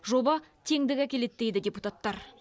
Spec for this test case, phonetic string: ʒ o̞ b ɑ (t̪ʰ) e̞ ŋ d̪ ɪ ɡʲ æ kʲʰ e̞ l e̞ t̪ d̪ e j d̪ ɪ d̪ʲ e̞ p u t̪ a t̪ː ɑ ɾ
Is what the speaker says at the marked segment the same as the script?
yes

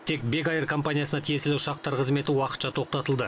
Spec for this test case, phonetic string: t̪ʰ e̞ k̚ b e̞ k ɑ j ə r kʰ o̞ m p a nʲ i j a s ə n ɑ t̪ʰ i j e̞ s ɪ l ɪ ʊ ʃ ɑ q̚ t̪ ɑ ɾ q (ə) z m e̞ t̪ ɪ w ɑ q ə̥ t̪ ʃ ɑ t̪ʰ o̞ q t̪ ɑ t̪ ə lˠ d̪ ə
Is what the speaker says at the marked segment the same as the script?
yes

